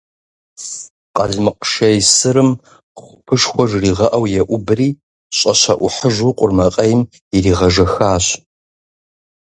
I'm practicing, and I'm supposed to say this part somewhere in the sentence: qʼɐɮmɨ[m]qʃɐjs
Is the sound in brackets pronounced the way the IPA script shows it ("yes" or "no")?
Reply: no